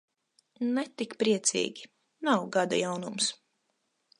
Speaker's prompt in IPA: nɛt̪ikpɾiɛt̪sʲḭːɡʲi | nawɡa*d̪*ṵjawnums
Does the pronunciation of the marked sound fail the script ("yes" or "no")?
no